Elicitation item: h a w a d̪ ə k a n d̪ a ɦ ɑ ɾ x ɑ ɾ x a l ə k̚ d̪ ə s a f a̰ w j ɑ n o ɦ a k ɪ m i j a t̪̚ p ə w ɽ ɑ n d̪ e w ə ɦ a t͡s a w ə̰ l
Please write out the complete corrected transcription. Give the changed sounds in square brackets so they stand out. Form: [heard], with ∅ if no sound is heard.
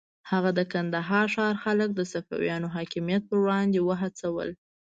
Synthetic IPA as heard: h a [ɣ] a d̪ ə k a n d̪ a ɦ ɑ ɾ [ʃ] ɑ ɾ x a l ə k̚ d̪ ə s a f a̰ w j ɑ n o ɦ [ɑ] k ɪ m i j a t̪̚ p ə w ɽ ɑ n d̪ e w ə ɦ a t͡s a w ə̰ l